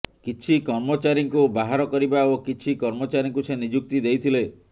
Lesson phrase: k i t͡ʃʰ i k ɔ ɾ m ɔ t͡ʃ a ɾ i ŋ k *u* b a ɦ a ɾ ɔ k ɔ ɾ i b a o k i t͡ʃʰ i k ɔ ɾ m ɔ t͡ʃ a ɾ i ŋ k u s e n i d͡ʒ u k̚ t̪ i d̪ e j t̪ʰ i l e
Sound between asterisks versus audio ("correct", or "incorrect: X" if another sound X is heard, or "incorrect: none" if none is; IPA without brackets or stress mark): correct